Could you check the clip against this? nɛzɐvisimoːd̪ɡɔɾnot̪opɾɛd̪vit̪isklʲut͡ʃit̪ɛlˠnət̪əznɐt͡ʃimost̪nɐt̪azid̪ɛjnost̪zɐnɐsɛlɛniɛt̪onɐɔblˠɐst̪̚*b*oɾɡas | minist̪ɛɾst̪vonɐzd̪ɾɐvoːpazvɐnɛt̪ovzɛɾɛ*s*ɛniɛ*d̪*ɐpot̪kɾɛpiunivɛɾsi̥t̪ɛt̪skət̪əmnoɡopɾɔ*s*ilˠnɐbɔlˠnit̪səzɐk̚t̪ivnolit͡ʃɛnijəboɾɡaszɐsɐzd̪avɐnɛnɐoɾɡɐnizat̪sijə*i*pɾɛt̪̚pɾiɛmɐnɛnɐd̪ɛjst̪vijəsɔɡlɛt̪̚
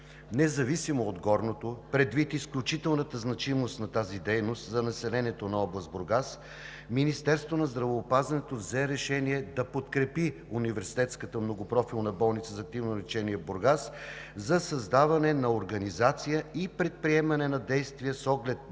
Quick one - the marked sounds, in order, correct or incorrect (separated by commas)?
correct, incorrect, correct, incorrect, correct